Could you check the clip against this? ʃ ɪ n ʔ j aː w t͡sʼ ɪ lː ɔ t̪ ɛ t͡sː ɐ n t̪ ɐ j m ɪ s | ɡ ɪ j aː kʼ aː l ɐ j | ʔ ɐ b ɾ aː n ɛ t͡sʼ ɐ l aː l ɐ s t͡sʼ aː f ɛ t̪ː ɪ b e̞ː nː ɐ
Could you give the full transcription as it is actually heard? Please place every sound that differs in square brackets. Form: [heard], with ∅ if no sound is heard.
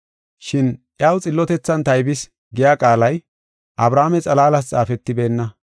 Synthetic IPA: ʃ ɪ n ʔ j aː w t͡sʼ ɪ lː ɔ t̪ ɛ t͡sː ɐ n t̪ ɐ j [b] ɪ s | ɡ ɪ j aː kʼ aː l ɐ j | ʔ ɐ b ɾ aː [m] ɛ t͡sʼ ɐ l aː l ɐ s t͡sʼ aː f ɛ t̪ː ɪ b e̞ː nː ɐ

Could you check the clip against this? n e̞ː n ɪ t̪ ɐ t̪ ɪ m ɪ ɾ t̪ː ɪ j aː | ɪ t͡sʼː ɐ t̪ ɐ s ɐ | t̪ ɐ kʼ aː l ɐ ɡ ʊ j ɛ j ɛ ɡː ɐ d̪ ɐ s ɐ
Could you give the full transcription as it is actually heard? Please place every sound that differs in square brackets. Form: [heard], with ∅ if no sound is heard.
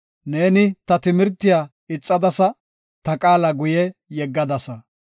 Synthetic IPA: n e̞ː n ɪ t̪ ɐ t̪ ɪ m ɪ ɾ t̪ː ɪ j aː | ɪ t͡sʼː ɐ [d̪] ɐ s ɐ | t̪ ɐ kʼ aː l ɐ ɡ ʊ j ɛ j ɛ ɡː ɐ d̪ ɐ s ɐ

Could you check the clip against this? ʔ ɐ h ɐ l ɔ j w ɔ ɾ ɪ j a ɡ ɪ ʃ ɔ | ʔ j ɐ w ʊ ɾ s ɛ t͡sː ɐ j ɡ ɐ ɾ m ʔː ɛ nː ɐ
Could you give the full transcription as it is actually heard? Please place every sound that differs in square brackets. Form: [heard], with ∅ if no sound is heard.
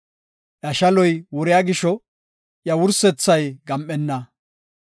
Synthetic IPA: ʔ ɐ [ʃ] ɐ l ɔ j w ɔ ɾ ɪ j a ɡ ɪ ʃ ɔ | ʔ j ɐ w ʊ ɾ s ɛ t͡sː ɐ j ɡ ɐ [∅] m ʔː ɛ nː ɐ

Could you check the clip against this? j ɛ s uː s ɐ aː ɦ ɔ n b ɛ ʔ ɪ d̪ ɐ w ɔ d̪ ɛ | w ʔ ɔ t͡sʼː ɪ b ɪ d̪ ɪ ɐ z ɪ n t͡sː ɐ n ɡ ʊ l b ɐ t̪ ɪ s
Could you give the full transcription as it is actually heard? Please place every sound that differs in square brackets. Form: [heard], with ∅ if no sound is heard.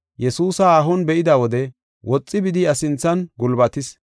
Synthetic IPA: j ɛ s uː s ɐ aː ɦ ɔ n b ɛ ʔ ɪ d̪ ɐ w ɔ d̪ ɛ | w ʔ ɔ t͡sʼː ɪ b ɪ d̪ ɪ ɐ [s] ɪ n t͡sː ɐ n ɡ ʊ l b ɐ t̪ ɪ s

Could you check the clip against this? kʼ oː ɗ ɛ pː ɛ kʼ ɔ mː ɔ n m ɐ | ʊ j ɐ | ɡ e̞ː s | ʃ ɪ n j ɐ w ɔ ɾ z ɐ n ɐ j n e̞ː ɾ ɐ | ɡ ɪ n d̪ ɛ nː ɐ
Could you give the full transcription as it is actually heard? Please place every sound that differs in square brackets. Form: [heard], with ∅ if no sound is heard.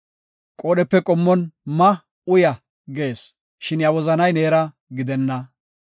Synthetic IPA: kʼ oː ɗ ɛ pː ɛ kʼ ɔ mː ɔ n m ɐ | ʊ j ɐ | ɡ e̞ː s | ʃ ɪ n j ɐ w ɔ [∅] z ɐ n ɐ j n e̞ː ɾ ɐ | ɡ ɪ [∅] d̪ ɛ nː ɐ

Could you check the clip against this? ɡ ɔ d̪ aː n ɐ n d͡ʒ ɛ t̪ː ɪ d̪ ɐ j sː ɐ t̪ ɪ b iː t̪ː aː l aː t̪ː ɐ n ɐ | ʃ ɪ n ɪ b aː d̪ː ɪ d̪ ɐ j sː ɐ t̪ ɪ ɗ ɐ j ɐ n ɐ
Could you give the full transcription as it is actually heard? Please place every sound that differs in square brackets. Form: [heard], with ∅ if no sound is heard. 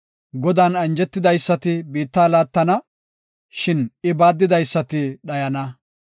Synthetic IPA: ɡ ɔ d̪ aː n ɐ n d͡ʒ ɛ t̪ː ɪ d̪ ɐ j sː ɐ t̪ ɪ b iː t̪ː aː l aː t̪ː ɐ n ɐ | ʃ ɪ n ɪ b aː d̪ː ɪ d̪ ɐ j sː ɐ t̪ ɪ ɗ ɐ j ɐ n ɐ

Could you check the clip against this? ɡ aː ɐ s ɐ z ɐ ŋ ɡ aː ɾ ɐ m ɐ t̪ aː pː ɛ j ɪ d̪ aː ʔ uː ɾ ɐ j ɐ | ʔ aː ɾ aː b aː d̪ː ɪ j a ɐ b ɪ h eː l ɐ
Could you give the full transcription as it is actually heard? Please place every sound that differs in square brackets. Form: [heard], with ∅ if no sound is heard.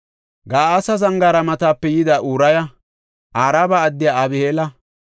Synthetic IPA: ɡ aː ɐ s ɐ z ɐ ŋ ɡ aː ɾ ɐ m ɐ t̪ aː pː ɛ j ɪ d̪ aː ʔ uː ɾ ɐ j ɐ | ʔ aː ɾ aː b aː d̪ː ɪ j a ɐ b ɪ h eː l ɐ

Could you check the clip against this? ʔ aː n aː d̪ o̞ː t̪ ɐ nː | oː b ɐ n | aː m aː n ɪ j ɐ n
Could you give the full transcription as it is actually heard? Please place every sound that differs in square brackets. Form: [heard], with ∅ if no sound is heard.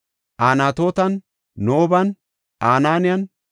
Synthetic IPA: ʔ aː n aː [t̪] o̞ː t̪ ɐ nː | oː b ɐ n | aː [n] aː n ɪ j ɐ n

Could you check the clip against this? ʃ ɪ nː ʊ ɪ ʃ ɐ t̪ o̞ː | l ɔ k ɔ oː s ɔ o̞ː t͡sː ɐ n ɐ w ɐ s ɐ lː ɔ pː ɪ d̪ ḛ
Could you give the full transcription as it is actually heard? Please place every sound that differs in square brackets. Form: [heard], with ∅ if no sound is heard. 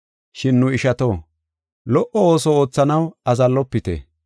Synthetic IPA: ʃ ɪ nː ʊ ɪ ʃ ɐ t̪ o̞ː | l ɔ [ʔ] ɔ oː s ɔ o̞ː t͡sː ɐ n ɐ w ɐ [z] ɐ lː ɔ pː ɪ [t̪] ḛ

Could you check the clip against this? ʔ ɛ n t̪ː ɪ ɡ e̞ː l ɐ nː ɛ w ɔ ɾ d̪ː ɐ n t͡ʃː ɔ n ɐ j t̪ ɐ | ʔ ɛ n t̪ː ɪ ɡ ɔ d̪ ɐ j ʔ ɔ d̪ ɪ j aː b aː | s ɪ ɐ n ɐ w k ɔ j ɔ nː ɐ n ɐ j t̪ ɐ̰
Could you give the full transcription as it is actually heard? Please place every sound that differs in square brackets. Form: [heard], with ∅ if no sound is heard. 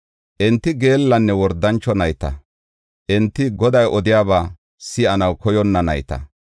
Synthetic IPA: ʔ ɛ n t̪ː ɪ ɡ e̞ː [lː] ɐ nː ɛ w ɔ ɾ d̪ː ɐ n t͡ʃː ɔ n ɐ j t̪ ɐ | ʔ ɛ n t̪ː ɪ ɡ ɔ d̪ ɐ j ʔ ɔ d̪ ɪ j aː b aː | s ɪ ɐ n ɐ w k ɔ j ɔ nː ɐ n ɐ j t̪ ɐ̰

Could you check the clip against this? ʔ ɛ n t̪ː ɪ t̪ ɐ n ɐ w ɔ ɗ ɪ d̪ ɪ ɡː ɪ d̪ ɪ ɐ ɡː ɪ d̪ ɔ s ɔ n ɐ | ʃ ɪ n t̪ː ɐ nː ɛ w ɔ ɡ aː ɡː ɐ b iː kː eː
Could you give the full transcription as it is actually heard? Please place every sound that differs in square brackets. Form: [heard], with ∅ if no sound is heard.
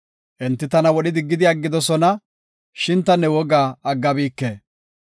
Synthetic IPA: ʔ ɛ n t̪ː ɪ t̪ ɐ n ɐ w ɔ ɗ ɪ d̪ ɪ ɡː ɪ d̪ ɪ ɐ ɡː ɪ d̪ ɔ s ɔ n ɐ | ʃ ɪ n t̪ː ɐ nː ɛ w ɔ ɡ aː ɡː ɐ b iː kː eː

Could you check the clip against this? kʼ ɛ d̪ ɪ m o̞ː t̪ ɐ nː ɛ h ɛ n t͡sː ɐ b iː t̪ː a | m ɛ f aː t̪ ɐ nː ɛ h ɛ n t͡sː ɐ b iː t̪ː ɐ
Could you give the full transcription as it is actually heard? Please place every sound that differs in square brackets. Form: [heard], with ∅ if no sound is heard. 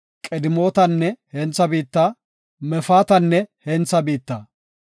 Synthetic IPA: kʼ ɛ d̪ ɪ m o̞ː t̪ ɐ nː ɛ h ɛ n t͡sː ɐ b iː t̪ː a | m ɛ f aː t̪ ɐ nː ɛ h ɛ n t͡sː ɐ b iː t̪ː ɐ

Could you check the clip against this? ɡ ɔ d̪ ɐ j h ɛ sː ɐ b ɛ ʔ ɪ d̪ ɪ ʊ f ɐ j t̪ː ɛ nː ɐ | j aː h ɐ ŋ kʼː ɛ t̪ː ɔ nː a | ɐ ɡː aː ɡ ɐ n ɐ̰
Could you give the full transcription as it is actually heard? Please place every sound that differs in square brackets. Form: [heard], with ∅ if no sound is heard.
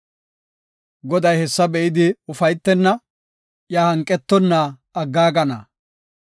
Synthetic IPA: ɡ ɔ d̪ ɐ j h ɛ sː ɐ b ɛ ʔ ɪ d̪ ɪ ʊ f ɐ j t̪ː ɛ nː ɐ | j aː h ɐ ŋ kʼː ɛ t̪ː ɔ nː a | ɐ ɡː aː ɡ ɐ n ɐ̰

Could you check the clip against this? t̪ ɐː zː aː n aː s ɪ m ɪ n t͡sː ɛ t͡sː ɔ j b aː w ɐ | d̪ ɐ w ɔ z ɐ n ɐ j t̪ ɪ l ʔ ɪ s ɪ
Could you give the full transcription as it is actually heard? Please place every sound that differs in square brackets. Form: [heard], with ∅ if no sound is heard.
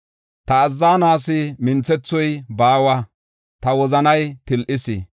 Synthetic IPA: t̪ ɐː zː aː n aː s ɪ m ɪ n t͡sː ɛ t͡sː ɔ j b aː w ɐ | [t̪] ɐ w ɔ z ɐ n ɐ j t̪ ɪ l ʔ ɪ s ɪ

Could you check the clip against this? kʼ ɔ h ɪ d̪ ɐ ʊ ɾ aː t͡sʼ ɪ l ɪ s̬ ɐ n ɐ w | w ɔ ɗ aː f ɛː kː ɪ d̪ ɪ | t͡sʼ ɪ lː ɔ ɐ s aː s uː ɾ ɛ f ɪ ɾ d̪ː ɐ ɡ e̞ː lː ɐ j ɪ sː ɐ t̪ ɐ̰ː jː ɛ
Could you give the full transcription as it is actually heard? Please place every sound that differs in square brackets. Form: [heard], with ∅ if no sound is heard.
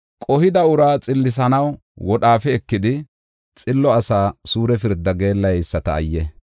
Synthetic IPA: kʼ ɔ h ɪ d̪ ɐ ʊ ɾ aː t͡sʼ ɪ [lː] ɪ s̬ ɐ n ɐ w | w ɔ ɗ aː f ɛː kː ɪ d̪ ɪ | t͡sʼ ɪ lː ɔ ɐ s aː s uː ɾ ɛ f ɪ ɾ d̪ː ɐ ɡ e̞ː lː ɐ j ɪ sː ɐ t̪ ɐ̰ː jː ɛ

